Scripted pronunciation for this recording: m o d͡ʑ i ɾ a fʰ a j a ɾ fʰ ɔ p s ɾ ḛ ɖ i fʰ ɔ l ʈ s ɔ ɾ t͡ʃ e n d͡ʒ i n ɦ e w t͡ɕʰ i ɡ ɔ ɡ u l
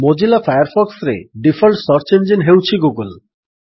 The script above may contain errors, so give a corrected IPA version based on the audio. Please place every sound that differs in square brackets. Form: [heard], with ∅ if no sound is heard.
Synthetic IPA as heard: m o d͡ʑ i [l] a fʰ a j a ɾ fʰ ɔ [k] s ɾ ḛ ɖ i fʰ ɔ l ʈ s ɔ ɾ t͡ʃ e n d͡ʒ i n ɦ e w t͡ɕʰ i ɡ [u] ɡ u l

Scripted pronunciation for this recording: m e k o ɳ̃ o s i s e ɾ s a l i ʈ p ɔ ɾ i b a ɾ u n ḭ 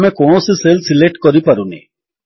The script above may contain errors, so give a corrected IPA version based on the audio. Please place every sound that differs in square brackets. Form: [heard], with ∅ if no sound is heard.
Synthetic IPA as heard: m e k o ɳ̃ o s i s e [l] s [i] l [e] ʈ [k] ɔ ɾ i [p] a ɾ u n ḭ

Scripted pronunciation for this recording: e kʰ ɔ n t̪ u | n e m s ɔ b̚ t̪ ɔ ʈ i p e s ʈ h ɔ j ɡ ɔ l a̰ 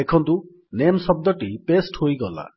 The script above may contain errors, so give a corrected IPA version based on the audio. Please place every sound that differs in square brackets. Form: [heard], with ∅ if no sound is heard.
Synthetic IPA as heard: e kʰ ɔ n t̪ u | n e m s ɔ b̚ [d̪] ɔ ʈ i p e s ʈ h [o] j ɡ ɔ l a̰

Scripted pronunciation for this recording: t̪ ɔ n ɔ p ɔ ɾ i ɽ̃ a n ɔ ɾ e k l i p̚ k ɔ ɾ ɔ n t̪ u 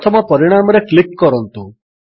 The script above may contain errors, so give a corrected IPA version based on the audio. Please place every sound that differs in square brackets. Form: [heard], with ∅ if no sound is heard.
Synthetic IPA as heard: [t̪ʰ] ɔ [m] ɔ p ɔ ɾ i ɽ̃ a [m] ɔ ɾ e k l i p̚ k ɔ ɾ ɔ n t̪ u

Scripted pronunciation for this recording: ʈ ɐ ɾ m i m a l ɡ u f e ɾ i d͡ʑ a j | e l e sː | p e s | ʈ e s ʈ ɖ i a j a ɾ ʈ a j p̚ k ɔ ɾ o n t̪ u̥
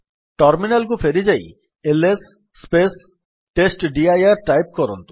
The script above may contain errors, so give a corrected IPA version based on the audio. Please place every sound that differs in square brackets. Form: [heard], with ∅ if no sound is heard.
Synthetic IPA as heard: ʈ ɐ ɾ m i [n] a l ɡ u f e ɾ i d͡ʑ a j | e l e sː | p e s | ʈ e s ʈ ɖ i a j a ɾ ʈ a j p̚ k ɔ ɾ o n t̪ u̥

